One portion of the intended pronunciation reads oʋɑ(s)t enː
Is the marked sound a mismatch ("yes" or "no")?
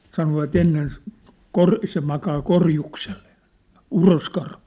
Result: yes